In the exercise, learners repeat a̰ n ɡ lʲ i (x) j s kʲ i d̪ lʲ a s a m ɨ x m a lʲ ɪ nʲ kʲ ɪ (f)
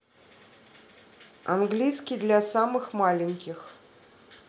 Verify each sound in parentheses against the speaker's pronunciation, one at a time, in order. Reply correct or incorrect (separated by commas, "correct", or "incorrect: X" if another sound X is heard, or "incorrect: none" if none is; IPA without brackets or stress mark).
incorrect: none, incorrect: x